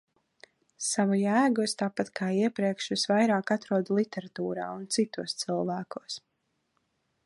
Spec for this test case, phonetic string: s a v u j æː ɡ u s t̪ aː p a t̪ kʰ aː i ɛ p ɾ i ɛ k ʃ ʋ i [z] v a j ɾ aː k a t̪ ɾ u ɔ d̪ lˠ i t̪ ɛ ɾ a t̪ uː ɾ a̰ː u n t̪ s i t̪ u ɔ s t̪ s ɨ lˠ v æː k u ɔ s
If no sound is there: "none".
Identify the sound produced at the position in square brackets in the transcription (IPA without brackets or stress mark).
s